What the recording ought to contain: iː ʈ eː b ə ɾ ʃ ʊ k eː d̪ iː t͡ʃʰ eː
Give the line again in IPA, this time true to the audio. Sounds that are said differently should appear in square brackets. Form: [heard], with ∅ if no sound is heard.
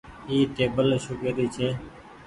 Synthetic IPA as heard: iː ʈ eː b ə [l] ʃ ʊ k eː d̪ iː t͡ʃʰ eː

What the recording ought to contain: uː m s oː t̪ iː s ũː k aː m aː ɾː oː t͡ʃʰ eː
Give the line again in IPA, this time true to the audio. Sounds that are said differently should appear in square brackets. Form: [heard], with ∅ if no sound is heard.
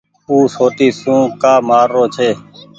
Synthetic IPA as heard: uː [∅] s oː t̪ iː s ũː k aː m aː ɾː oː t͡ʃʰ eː

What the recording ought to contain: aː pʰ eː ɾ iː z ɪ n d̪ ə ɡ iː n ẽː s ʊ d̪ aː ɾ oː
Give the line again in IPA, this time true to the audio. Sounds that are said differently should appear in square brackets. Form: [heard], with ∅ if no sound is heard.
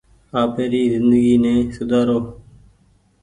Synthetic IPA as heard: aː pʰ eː ɾ iː z ɪ n d̪ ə ɡ iː n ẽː s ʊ d̪ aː ɾ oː

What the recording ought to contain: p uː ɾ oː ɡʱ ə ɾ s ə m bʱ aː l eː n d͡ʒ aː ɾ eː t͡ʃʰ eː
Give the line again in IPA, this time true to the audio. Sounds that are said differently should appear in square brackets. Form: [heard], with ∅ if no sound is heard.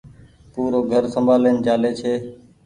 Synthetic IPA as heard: p uː ɾ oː ɡʱ ə ɾ s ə m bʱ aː l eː n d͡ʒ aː [l] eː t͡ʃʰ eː

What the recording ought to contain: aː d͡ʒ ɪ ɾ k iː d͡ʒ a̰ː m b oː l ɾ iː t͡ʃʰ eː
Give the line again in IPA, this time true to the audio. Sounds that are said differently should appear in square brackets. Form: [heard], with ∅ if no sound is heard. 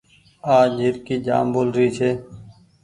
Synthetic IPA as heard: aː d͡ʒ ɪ ɾ k iː d͡ʒ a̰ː m b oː l ɾ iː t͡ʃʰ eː

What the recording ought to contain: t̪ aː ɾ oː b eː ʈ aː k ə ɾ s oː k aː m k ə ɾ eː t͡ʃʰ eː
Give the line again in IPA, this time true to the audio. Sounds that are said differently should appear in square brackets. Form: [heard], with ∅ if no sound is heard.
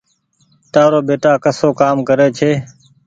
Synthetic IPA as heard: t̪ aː ɾ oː b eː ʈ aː k ə [∅] s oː k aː m k ə ɾ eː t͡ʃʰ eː

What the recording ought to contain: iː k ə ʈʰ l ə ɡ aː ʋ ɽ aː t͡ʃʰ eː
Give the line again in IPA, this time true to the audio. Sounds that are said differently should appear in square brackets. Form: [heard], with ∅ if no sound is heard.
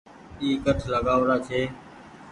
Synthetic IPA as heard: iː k ə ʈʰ l ə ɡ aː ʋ [ɾ] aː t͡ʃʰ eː

